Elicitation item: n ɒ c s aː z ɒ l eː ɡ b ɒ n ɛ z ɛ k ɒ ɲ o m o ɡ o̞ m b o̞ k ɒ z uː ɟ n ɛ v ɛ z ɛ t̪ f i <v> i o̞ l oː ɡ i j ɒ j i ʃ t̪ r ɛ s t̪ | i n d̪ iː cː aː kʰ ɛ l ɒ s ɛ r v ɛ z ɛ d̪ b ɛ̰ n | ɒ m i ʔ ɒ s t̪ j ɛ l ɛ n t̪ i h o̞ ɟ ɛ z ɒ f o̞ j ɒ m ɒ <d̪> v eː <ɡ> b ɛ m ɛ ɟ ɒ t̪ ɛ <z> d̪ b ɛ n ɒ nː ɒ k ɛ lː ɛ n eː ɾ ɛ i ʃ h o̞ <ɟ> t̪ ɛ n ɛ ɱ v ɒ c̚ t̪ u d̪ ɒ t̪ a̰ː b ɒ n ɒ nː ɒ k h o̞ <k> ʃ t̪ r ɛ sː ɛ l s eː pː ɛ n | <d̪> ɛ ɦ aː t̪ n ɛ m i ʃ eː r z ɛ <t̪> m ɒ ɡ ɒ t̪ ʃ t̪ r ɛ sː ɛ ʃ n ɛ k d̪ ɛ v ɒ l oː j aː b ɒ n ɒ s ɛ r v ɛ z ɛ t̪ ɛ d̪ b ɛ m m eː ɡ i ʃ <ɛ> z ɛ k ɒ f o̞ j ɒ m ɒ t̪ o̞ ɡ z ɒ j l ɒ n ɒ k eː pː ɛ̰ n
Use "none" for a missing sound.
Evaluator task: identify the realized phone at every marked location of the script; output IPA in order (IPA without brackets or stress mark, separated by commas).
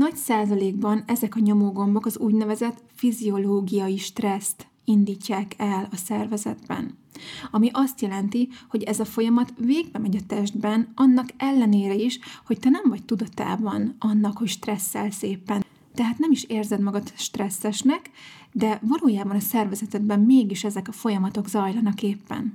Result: z, t̪, ɡ, ʒ, c, c, t̪, d̪, ɛ